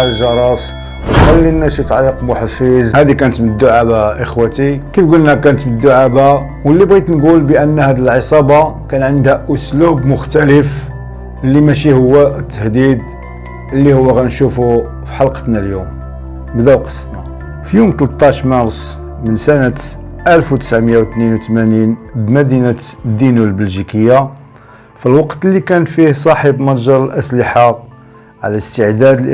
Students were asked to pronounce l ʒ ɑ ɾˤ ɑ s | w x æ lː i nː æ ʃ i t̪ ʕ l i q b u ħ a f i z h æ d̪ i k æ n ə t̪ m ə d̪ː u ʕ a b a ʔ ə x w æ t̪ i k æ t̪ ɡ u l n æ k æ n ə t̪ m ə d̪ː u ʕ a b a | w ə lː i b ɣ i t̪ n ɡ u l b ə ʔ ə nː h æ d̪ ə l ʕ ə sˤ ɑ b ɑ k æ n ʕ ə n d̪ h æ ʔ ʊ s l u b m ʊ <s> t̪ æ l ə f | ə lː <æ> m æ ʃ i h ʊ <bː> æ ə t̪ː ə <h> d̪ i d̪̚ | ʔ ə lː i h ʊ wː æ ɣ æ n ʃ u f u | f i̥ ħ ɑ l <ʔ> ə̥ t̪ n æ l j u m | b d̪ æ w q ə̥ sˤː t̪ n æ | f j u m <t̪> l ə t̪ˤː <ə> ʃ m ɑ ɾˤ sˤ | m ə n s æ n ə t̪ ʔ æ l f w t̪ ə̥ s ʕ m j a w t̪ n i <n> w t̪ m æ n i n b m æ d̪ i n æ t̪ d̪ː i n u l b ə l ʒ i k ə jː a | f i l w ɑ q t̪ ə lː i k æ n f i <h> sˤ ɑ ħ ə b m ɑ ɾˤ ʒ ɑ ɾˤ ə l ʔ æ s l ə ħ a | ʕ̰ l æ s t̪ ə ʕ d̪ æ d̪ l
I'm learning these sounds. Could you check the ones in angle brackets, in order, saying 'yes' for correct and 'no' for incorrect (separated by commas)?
no, no, no, yes, no, yes, no, yes, yes